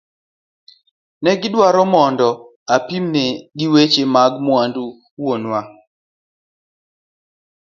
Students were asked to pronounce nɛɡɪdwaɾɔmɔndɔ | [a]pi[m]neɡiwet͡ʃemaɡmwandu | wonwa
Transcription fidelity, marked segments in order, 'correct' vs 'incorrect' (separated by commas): correct, correct